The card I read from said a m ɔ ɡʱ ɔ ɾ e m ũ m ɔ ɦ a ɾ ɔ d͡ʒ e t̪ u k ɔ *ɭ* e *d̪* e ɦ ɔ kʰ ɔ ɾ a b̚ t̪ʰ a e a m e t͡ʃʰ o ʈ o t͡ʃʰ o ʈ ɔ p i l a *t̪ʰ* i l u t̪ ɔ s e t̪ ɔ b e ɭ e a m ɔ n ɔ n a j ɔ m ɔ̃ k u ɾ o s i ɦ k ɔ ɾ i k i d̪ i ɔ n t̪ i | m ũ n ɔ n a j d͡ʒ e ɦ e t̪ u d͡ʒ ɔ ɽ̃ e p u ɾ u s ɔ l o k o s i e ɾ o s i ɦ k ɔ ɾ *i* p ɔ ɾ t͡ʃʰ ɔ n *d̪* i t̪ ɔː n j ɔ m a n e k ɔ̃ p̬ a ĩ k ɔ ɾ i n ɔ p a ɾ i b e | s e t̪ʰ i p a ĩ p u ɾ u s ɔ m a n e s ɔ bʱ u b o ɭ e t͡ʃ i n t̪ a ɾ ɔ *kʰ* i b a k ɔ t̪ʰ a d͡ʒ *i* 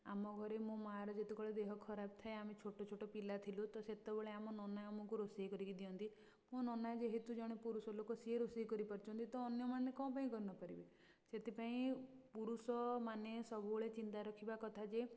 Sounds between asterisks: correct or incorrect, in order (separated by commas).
correct, correct, correct, correct, incorrect, correct, incorrect